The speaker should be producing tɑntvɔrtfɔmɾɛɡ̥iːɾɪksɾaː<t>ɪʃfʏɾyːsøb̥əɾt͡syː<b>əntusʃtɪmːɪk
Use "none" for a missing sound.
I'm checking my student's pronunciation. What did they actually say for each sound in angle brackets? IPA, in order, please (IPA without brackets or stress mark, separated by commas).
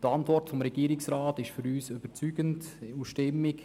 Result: t, ɡ